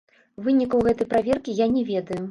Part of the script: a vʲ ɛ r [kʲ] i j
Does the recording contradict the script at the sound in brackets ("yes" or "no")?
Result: no